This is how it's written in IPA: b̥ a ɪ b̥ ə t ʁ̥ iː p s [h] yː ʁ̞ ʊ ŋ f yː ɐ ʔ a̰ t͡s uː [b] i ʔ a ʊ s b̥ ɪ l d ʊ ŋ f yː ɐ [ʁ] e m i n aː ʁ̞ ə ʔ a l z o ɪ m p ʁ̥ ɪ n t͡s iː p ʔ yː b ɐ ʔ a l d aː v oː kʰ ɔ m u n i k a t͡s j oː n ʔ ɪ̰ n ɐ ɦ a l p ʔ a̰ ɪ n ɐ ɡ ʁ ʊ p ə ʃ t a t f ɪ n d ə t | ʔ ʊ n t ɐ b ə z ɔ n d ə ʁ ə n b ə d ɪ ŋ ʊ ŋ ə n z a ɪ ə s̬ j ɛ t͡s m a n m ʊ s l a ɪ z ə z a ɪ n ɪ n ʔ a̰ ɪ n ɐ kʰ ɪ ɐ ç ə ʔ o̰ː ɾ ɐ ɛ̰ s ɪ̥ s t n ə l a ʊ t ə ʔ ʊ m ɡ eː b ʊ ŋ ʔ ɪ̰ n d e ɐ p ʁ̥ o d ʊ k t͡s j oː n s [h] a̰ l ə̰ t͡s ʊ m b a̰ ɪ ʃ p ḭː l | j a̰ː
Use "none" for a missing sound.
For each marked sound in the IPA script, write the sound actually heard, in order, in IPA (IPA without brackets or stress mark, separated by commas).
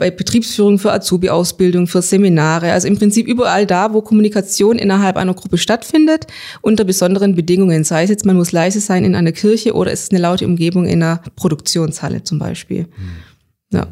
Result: f, b, z, h